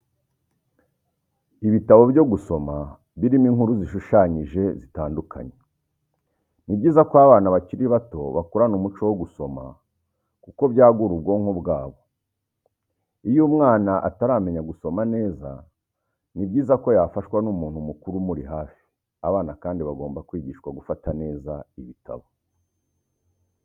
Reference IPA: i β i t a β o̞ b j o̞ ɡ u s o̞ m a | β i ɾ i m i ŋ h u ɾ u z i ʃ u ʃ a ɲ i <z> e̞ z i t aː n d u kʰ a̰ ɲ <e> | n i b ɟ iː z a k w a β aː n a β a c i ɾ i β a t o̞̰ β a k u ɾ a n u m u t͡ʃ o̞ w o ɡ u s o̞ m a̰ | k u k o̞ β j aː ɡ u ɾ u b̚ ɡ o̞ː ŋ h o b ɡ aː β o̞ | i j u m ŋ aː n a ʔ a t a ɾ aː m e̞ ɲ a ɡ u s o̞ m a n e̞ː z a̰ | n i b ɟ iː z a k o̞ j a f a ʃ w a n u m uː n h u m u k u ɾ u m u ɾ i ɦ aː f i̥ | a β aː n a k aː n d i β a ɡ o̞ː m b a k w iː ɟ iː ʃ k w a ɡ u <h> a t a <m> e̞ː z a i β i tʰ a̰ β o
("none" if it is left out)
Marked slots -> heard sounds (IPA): ʒ, e, f, n

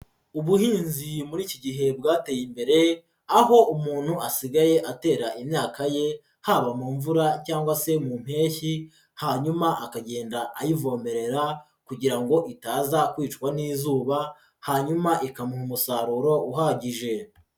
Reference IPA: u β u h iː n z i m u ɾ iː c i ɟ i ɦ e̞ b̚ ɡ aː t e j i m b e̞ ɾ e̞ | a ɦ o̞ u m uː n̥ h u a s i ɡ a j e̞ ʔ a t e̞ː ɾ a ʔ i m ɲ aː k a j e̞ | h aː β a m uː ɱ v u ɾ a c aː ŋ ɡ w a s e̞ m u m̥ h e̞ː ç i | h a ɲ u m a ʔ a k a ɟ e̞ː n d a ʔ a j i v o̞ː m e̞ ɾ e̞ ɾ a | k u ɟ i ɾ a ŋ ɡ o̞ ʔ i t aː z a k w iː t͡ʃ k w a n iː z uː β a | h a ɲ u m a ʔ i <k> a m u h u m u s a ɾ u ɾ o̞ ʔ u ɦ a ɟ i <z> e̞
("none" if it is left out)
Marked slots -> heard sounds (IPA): k, ʒ

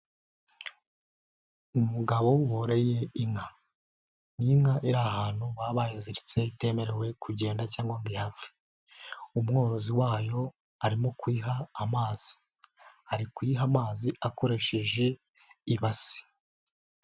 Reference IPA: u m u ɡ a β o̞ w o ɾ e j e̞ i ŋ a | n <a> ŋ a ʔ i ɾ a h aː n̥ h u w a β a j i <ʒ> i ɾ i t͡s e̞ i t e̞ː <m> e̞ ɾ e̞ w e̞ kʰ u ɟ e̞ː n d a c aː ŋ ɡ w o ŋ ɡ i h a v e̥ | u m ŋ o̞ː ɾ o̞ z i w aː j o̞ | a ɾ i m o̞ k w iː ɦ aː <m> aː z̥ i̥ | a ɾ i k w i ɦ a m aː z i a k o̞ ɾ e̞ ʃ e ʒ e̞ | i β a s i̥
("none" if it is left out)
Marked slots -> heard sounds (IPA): i, z, m, m

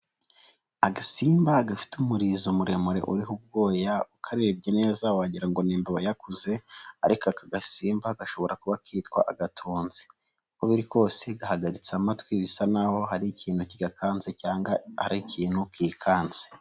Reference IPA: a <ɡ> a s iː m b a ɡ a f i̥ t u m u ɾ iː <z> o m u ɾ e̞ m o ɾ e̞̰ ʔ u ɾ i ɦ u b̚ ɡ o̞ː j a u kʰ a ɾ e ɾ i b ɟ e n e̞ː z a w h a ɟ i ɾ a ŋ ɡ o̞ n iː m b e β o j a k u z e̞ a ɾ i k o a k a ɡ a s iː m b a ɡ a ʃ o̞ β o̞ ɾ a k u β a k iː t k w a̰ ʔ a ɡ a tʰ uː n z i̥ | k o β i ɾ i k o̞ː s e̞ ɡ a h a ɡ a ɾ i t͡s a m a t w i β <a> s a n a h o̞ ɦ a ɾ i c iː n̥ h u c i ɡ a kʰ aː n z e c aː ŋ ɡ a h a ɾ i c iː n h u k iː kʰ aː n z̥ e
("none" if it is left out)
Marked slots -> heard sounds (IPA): ɡ, z, i

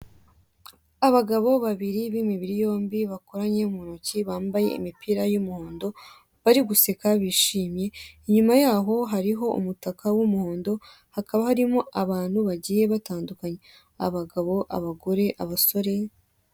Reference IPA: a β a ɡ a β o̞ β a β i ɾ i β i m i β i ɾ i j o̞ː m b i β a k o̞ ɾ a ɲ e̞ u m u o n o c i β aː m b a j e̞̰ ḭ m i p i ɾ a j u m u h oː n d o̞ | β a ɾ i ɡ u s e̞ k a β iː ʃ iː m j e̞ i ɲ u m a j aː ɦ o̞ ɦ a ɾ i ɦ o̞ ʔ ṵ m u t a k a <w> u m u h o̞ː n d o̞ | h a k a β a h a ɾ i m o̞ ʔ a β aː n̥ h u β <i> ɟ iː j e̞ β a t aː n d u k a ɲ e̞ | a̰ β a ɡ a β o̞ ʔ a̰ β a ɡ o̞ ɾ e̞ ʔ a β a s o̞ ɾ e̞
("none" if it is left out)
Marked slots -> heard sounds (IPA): w, a

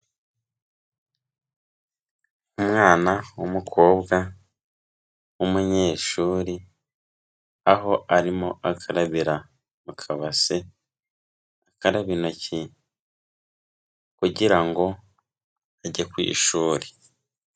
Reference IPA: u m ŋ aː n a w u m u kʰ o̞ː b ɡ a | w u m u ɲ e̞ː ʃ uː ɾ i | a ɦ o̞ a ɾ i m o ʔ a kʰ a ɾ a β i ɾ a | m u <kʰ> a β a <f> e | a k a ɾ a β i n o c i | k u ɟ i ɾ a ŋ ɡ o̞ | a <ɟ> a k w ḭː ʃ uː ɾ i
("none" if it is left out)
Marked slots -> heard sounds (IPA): kʰ, s, ɟ

